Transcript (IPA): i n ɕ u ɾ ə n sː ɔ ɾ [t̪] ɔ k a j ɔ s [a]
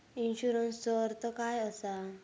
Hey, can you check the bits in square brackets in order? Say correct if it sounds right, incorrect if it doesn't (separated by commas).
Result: correct, correct